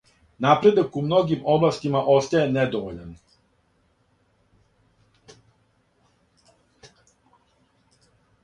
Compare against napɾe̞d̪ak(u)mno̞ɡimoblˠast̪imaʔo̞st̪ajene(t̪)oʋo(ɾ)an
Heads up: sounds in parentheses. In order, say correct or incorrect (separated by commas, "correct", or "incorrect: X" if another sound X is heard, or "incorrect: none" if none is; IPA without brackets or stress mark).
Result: correct, incorrect: d̪, incorrect: ʎ